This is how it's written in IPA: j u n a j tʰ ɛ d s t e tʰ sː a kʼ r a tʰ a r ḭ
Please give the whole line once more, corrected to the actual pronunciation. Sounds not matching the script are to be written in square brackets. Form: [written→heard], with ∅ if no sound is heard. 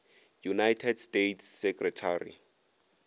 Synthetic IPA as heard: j u n a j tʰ ɛ d s t e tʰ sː [a→ɛ] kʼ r [a→ɛ] tʰ a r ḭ